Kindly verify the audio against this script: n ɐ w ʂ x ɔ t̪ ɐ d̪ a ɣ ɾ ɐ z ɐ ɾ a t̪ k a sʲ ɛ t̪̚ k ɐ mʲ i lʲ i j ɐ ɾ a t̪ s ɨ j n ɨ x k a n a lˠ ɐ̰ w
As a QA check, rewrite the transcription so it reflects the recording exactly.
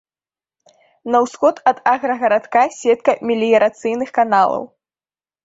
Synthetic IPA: n ɐ w s x ɔ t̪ ɐ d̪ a ɣ ɾ ɐ ɣ ɐ ɾ a t̪ k a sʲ ɛ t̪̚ k ɐ mʲ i lʲ i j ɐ ɾ a t̪ s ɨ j n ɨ x k a n a lˠ ɐ̰ w